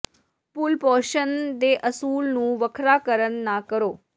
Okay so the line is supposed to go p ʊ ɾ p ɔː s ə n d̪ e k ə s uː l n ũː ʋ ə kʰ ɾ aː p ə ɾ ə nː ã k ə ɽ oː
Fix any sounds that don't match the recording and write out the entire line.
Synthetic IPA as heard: p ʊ l p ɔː ʃ ə n d̪ e ʔ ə s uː l n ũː ʋ ə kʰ ɾ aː k ə ɾ ə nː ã k ə ɾ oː